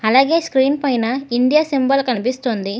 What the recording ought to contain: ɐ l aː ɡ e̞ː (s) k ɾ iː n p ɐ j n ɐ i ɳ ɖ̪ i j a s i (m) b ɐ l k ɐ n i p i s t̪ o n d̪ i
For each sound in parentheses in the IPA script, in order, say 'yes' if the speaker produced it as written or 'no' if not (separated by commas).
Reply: yes, yes